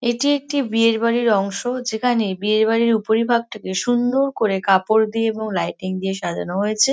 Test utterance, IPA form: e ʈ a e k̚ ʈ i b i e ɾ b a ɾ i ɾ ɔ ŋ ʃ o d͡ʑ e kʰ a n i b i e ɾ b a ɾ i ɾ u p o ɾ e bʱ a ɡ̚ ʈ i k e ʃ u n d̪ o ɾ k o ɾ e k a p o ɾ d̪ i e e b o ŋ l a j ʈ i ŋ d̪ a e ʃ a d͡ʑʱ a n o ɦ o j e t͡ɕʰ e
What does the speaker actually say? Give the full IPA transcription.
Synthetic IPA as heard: e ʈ i e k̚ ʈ i b i e ɾ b a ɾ i ɾ ɔ ŋ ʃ o d͡ʑ e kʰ a n e b i e ɾ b a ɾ i ɾ u p o ɾ i bʱ a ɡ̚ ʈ a k e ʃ u n d̪ o ɾ k o ɾ e k a p o ɾ d̪ i e e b o ŋ l a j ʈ i ŋ d̪ i e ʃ a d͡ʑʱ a n o ɦ o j e t͡ɕʰ e